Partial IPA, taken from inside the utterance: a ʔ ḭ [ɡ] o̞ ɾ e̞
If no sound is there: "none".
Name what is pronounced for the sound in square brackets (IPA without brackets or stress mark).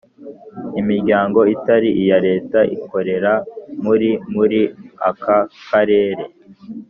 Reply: k